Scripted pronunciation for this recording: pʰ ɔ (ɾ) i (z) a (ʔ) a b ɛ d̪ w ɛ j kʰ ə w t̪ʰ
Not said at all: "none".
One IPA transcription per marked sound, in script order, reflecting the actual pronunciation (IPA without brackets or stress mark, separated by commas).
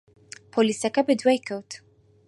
l, s, k